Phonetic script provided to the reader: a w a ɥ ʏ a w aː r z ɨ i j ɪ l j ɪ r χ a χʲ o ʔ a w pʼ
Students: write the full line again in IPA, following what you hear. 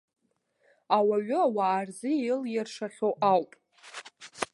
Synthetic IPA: a w a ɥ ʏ a w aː r z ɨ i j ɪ l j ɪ r ʂ a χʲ o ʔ a w pʼ